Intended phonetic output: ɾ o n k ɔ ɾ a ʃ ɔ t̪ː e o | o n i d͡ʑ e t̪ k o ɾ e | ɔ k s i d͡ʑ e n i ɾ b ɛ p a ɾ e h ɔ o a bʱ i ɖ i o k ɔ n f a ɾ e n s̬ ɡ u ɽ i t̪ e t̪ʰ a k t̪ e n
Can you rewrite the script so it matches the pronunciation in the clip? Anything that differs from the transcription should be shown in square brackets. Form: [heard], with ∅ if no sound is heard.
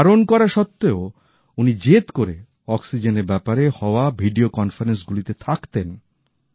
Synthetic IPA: ɾ o n k ɔ ɾ a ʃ ɔ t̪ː e o | [u] n i d͡ʑ e t̪ k o ɾ e | ɔ k s i d͡ʑ e n [e] ɾ b ɛ p a ɾ e h ɔ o a bʱ i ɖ i o k ɔ n f a ɾ e n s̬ ɡ u [l] i t̪ e t̪ʰ a k t̪ e n